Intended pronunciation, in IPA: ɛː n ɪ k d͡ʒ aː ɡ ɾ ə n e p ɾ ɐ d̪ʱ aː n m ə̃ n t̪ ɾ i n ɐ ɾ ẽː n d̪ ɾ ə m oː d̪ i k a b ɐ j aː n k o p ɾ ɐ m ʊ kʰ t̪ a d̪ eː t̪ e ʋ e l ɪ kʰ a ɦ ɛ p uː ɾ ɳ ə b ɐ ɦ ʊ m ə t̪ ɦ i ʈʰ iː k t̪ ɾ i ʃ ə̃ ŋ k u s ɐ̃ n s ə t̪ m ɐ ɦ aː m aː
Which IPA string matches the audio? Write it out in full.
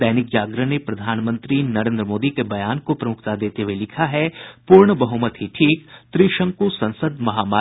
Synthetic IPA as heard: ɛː n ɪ k d͡ʒ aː ɡ ɾ ə n e p ɾ ɐ d̪ʱ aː n m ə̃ n t̪ ɾ i n ɐ ɾ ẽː n d̪ ɾ ə m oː d̪ i k e b ɐ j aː n k o p ɾ ɐ m ʊ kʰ t̪ a d̪ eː t̪ e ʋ e l ɪ kʰ a ɦ ɛ p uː ɾ ɳ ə b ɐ ɦ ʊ m ə t̪ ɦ i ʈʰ iː k t̪ ɾ i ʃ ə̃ ŋ k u s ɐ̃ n s ə d̪ m ɐ ɦ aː m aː